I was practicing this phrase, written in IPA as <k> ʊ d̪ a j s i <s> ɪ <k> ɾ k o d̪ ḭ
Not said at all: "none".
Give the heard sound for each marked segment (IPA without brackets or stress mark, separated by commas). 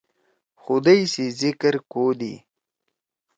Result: x, z, k